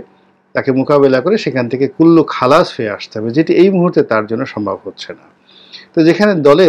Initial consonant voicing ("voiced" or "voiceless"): voiceless